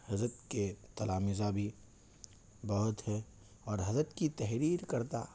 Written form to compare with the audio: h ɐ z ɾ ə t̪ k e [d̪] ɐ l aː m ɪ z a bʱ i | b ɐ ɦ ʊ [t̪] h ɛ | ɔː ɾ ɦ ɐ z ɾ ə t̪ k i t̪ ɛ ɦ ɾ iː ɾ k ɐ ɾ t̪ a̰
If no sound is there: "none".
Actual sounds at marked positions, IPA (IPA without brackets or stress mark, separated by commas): t̪, t̪